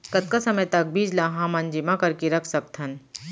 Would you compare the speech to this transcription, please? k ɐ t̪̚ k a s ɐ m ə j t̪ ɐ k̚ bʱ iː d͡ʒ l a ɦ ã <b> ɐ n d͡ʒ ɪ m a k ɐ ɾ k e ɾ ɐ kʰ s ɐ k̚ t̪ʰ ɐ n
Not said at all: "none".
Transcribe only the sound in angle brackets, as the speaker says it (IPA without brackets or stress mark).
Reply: m